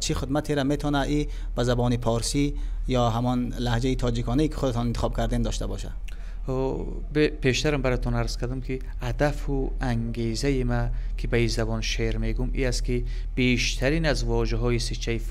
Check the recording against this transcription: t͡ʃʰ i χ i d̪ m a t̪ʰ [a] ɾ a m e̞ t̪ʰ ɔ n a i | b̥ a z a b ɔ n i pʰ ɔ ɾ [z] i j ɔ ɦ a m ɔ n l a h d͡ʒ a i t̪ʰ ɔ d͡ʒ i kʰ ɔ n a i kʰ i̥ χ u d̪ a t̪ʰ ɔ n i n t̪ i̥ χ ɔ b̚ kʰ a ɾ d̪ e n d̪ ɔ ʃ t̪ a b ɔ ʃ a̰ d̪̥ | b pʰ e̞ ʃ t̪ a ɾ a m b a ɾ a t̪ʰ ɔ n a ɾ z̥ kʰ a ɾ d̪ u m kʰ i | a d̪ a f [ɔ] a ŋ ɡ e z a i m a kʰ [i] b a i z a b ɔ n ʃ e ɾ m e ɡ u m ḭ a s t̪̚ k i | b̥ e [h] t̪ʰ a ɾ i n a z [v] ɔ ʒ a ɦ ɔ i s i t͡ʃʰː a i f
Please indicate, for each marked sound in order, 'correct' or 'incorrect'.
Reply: incorrect: e, incorrect: s, incorrect: u, correct, incorrect: ʃ, correct

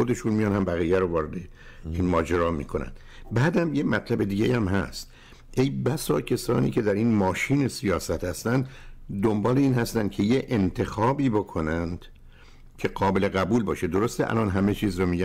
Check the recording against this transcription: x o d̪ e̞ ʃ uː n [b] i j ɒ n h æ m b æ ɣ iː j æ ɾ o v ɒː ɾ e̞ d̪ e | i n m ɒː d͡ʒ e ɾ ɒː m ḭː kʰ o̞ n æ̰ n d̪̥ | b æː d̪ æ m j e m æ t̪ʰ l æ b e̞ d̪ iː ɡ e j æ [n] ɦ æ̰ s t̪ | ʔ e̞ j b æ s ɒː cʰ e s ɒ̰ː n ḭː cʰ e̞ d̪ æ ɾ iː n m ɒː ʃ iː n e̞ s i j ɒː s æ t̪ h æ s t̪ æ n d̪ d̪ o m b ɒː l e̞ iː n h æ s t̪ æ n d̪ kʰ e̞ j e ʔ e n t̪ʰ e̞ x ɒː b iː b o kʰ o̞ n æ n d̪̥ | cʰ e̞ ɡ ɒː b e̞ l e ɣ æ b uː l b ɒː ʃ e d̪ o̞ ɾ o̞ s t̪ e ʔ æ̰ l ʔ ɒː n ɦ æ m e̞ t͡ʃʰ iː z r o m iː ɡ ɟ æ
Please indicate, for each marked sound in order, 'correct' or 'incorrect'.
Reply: incorrect: m, incorrect: m

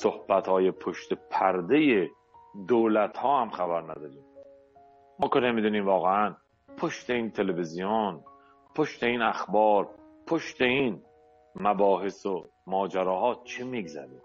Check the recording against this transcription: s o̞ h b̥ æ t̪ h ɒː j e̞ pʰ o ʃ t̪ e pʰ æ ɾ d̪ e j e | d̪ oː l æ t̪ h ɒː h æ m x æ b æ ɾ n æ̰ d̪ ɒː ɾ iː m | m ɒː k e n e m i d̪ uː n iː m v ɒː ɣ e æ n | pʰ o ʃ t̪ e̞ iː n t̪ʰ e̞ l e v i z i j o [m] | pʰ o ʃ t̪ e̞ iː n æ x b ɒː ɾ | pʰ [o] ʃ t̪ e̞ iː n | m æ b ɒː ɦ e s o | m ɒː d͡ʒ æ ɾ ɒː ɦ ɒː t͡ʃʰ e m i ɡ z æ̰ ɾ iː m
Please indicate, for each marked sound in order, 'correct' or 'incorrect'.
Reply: incorrect: n, correct

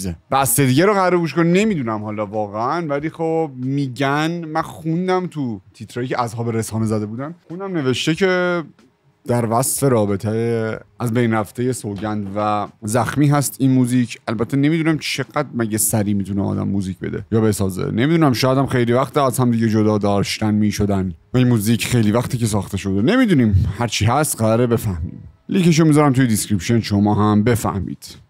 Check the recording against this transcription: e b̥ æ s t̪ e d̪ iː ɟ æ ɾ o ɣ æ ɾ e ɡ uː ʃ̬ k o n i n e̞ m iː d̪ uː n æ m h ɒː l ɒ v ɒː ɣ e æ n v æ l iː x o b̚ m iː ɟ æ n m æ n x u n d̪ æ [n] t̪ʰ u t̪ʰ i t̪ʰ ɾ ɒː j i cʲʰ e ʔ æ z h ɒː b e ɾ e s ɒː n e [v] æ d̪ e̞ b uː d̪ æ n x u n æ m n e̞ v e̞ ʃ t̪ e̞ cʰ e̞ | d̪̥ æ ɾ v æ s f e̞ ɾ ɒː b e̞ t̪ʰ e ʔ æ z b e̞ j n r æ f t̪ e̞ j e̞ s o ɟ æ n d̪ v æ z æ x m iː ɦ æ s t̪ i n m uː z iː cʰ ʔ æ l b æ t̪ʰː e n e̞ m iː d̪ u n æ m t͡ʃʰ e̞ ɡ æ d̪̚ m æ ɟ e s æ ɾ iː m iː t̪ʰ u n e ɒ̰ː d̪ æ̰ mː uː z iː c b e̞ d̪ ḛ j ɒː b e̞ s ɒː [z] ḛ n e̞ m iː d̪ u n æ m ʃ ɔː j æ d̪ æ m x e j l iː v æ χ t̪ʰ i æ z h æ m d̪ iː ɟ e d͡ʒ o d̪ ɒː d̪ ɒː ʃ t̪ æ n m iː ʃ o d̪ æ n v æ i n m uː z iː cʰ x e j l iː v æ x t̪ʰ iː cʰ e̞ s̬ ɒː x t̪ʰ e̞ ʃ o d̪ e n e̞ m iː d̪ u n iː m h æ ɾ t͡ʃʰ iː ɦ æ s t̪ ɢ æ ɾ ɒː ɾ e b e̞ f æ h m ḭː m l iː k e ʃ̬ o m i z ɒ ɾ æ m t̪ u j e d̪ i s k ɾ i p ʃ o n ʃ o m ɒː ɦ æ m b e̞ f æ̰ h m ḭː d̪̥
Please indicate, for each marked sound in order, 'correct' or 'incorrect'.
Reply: incorrect: m, incorrect: z, correct

